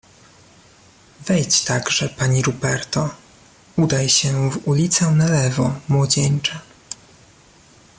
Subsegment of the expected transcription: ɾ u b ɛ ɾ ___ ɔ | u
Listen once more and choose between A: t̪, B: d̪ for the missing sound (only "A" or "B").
A